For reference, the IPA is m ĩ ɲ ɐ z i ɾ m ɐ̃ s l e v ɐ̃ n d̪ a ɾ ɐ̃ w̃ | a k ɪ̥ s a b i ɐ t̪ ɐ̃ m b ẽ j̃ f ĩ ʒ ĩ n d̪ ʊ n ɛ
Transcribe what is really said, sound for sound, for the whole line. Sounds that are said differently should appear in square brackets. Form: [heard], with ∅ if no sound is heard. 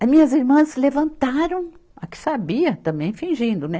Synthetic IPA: m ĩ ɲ ɐ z i ɾ m ɐ̃ s l e v ɐ̃ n [t̪] a ɾ ɐ̃ w̃ | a k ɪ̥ s a b i ɐ t̪ ɐ̃ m b ẽ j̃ f ĩ ʒ ĩ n d̪ ʊ n ɛ